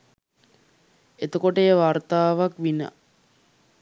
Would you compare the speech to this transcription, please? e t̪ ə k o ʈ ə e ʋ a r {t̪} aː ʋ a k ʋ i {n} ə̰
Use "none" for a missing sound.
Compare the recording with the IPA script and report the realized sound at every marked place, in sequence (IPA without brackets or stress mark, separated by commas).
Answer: t̪, n